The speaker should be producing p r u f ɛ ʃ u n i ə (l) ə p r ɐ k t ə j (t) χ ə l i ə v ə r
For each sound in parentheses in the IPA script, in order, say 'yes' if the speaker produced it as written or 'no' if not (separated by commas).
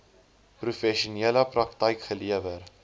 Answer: yes, no